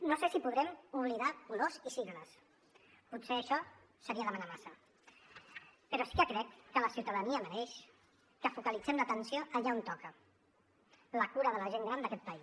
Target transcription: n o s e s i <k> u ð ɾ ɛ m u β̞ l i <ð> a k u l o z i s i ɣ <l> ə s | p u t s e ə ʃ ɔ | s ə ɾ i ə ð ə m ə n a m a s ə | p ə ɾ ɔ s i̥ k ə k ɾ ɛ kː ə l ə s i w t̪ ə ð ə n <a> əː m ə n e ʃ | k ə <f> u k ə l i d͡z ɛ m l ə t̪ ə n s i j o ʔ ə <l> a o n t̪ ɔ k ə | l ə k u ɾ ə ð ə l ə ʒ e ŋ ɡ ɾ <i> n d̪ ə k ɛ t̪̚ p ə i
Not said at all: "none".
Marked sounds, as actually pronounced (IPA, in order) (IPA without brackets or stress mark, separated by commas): p, ð, l, i, f, ʎ, a